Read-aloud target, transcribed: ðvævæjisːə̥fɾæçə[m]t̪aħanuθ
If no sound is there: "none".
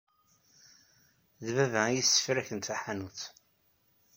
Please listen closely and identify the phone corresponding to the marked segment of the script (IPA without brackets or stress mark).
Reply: n